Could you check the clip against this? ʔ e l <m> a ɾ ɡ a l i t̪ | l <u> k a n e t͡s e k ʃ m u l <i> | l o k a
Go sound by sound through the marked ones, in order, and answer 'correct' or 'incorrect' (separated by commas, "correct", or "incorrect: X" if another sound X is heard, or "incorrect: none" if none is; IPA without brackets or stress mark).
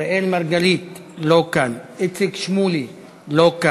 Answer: correct, incorrect: o, correct